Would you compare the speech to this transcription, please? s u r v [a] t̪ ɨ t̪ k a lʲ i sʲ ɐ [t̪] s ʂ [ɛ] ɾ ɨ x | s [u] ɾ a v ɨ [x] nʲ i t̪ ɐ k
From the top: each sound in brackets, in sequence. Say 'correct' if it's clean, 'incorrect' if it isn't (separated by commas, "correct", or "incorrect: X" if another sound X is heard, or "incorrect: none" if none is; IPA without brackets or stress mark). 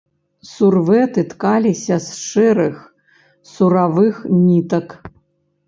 incorrect: ɛ, incorrect: none, correct, correct, correct